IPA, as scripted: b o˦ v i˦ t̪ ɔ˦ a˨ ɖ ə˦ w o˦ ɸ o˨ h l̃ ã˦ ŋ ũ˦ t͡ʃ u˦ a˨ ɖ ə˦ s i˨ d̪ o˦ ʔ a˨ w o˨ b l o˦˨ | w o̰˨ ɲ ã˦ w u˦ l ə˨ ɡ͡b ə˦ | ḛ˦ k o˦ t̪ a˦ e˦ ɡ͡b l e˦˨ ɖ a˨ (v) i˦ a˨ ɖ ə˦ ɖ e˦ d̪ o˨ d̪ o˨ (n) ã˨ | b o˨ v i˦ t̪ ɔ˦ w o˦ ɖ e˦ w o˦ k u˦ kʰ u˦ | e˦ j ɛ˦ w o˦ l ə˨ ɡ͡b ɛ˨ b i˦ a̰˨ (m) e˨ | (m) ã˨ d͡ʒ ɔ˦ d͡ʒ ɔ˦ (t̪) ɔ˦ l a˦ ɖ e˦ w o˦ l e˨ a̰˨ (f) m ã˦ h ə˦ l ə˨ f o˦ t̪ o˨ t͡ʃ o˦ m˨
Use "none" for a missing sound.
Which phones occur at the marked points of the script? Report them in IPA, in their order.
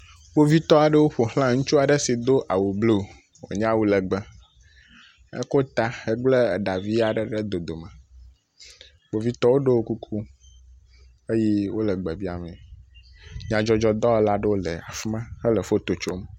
v, m, m, ɲ, d̪, f

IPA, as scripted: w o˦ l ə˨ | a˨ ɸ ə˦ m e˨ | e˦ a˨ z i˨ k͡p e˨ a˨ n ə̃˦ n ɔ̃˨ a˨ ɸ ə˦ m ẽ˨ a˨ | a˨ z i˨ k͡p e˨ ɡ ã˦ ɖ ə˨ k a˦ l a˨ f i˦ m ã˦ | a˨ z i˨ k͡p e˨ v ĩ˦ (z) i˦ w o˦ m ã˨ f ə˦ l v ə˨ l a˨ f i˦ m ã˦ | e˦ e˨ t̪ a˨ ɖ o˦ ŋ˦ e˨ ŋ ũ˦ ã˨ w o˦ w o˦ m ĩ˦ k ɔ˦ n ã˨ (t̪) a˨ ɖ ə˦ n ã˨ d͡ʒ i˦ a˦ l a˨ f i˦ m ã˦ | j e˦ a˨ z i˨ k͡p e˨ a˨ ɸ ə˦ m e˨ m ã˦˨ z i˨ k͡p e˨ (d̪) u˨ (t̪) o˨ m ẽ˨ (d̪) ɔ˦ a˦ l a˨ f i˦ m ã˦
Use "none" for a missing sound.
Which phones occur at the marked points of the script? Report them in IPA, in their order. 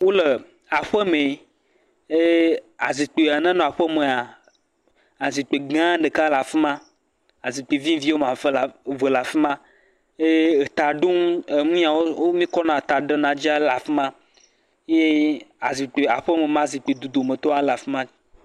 v, t̪, d̪, d̪, t̪

